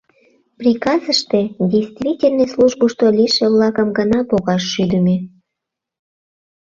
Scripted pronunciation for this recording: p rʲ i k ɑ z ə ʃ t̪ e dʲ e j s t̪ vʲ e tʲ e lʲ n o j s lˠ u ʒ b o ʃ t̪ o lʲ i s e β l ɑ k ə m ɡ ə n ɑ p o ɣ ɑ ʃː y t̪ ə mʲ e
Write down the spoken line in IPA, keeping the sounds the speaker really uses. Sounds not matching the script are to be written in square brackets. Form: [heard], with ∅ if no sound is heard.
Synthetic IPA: p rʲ i k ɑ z ə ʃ t̪ e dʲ e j s t̪ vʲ [i] tʲ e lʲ n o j s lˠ u ʒ b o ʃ t̪ o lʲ i [ʃ] e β l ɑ k ə m ɡ ə n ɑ p o ɣ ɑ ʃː y [d̪] ə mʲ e